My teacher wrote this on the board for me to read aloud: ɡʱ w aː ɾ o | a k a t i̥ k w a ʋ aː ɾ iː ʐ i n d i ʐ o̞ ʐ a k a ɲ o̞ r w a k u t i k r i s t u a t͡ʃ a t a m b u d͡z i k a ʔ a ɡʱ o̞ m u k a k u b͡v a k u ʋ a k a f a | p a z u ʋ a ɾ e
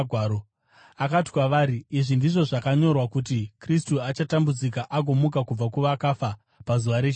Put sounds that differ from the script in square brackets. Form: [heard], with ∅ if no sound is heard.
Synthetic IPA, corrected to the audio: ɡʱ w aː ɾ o | a k a t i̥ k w a ʋ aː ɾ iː ʐ i n d i ʐ o̞ ʐ a k a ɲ o̞ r w a k u t i k r i s t u a t͡ʃ a t a m b u d͡z i k a ʔ a ɡʱ o̞ m u k a k u b͡v a k u ʋ a k a f a | p a z u ʋ a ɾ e